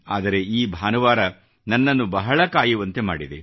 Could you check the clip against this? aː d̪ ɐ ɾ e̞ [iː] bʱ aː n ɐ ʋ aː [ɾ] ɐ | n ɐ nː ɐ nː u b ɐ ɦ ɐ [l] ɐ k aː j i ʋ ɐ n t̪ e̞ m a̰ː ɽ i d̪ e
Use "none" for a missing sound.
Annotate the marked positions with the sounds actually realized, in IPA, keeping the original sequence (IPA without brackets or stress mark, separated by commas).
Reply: iː, ɾ, ɭ